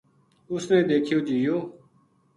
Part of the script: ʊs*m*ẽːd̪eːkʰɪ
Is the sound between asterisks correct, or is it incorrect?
incorrect